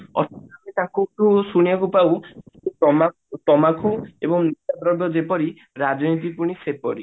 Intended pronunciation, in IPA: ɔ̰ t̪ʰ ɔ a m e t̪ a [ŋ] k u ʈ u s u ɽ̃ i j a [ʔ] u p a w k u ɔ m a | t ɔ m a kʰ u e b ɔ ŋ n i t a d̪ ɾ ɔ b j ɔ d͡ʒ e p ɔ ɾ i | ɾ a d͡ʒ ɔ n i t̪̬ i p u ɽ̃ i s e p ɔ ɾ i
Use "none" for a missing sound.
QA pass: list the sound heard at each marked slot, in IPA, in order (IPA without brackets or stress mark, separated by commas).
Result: none, k